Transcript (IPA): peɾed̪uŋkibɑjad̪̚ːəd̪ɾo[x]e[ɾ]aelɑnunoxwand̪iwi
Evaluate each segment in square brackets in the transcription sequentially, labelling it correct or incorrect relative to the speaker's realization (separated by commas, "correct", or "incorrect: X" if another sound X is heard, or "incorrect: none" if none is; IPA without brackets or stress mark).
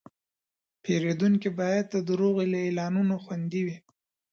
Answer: incorrect: ɣ, incorrect: l